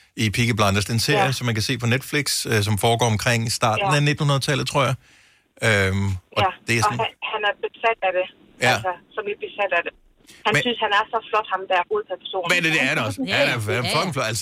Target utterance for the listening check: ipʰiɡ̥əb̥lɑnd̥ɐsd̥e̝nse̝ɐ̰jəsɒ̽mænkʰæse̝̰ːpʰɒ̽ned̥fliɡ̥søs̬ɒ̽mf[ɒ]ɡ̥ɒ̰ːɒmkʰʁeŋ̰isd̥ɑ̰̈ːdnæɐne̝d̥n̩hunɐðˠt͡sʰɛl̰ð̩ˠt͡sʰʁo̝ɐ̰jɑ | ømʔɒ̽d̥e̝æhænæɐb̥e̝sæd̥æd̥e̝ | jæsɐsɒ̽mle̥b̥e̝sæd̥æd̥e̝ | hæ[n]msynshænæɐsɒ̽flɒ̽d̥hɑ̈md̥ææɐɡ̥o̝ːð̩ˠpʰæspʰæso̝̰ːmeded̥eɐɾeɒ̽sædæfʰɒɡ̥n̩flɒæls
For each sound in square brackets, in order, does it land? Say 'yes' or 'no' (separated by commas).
no, yes